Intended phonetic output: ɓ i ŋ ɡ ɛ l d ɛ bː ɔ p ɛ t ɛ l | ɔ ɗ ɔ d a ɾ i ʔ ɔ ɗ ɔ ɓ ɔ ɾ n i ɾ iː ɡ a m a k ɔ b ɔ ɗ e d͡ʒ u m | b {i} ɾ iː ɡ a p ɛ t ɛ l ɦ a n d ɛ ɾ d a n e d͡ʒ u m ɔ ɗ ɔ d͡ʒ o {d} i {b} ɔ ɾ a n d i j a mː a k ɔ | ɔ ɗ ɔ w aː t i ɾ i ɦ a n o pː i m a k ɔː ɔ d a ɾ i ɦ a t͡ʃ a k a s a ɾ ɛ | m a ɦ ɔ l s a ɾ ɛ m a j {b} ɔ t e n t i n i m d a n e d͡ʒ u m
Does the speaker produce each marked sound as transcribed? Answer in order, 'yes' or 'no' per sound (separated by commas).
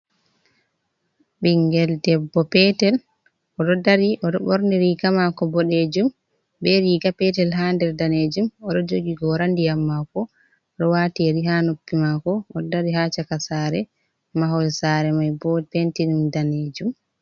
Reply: no, no, no, yes